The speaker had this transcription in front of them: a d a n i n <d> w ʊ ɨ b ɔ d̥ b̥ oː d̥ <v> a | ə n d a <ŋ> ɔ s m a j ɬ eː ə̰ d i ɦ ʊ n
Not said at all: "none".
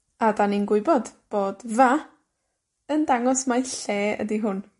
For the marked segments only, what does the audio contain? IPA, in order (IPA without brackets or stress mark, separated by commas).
ɡ, v, ŋ